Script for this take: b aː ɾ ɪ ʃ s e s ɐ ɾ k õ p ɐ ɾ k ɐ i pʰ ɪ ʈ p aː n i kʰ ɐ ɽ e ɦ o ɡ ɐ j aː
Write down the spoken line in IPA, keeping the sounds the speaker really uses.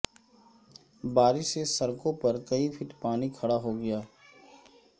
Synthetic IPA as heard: b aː ɾ ɪ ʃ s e s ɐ ɾ k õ p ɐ ɾ k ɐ i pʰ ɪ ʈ p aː n i kʰ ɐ ɽ a ɦ o ɡ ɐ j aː